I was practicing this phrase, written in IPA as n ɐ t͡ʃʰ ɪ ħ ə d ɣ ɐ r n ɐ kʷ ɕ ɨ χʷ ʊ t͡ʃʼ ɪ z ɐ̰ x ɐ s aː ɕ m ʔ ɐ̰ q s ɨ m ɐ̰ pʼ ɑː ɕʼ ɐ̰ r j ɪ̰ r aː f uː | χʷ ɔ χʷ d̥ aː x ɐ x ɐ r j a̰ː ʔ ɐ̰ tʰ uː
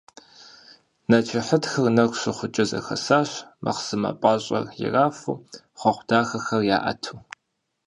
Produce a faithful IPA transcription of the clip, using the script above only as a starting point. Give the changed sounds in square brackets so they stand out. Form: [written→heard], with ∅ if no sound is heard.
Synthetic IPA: n ɐ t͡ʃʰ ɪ ħ ə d [ɣ→x] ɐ r n ɐ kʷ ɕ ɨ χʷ ʊ t͡ʃʼ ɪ z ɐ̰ x ɐ s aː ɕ m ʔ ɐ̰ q s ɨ m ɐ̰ pʼ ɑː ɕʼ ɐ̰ r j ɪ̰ r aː f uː | χʷ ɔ χʷ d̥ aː x ɐ x ɐ r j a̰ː ʔ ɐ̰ tʰ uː